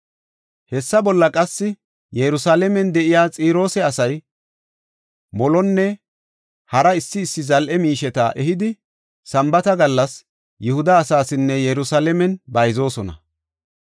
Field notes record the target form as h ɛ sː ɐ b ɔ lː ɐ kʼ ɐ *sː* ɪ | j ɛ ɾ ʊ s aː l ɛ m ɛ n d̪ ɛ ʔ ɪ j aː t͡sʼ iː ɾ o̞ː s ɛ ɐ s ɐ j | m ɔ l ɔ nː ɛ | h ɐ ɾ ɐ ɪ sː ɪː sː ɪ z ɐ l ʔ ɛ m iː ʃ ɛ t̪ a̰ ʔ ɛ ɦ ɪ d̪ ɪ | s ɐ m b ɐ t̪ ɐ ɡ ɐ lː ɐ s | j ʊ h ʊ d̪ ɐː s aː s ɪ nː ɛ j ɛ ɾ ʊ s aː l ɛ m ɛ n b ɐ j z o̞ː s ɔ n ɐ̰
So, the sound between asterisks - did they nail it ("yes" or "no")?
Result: yes